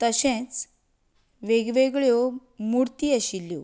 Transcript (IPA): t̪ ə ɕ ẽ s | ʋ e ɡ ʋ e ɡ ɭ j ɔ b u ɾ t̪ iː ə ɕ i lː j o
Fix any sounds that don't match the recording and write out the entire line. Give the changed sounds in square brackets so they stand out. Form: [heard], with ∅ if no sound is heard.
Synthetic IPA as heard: t̪ ə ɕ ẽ [t͡s] | ʋ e ɡ ʋ e ɡ ɭ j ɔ [m] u ɾ t̪ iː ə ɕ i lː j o